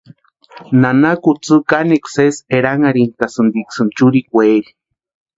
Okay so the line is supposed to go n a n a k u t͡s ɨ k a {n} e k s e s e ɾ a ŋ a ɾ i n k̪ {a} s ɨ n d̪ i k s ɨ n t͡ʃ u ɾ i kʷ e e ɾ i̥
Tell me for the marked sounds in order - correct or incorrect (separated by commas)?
correct, correct